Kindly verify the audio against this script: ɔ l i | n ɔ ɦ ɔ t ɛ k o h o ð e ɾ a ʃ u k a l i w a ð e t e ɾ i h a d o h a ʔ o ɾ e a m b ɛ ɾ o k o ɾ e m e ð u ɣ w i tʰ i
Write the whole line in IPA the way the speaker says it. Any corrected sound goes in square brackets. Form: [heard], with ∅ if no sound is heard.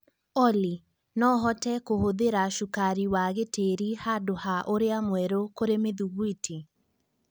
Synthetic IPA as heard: ɔ l i | n ɔ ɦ ɔ t ɛ k o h o ð e ɾ a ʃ u k a [ɾ] i w a [ɣ] e t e ɾ i h a d o h a ʔ o ɾ e a m [w] ɛ ɾ o k o ɾ e m e ð u ɣ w i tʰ i